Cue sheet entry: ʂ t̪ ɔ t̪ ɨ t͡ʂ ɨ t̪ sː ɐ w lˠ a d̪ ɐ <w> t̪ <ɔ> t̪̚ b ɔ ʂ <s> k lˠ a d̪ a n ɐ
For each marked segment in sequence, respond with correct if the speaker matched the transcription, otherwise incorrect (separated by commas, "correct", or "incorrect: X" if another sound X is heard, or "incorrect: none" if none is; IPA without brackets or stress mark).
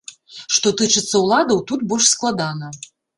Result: correct, incorrect: u, correct